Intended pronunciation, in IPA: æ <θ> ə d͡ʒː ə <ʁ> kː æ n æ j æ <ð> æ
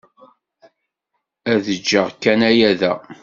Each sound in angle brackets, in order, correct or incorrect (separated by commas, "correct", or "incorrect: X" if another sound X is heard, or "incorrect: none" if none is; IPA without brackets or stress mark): incorrect: ð, correct, correct